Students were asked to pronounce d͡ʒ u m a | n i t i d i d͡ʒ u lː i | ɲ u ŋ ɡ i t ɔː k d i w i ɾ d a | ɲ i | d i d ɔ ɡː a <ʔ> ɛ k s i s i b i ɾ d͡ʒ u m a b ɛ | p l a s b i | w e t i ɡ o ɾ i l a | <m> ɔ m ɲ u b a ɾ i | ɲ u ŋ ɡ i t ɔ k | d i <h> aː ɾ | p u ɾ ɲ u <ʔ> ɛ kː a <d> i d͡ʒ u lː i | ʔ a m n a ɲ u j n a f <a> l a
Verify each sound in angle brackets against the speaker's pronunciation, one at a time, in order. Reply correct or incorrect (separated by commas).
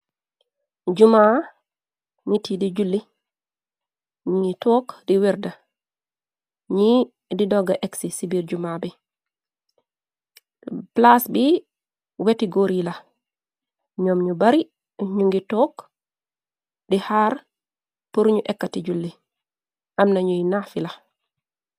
correct, incorrect, correct, correct, incorrect, incorrect